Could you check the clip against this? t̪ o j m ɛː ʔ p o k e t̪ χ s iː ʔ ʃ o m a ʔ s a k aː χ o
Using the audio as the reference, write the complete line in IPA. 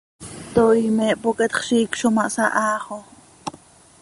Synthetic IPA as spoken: t̪ o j m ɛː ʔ p o k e t̪ χ ʃ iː k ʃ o m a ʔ s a ʔ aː χ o